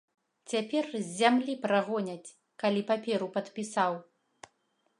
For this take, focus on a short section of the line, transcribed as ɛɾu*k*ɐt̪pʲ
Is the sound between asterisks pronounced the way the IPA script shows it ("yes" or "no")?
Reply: no